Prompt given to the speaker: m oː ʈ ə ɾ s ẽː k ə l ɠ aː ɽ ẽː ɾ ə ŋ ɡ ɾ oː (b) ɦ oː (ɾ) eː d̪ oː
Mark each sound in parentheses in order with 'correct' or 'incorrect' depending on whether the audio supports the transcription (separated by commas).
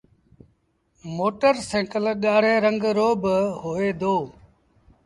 correct, incorrect